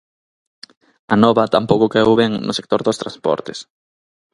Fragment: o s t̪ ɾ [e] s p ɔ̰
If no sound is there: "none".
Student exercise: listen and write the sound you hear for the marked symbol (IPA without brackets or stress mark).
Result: a